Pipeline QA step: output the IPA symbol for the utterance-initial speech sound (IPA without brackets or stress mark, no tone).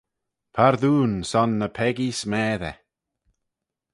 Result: pʰ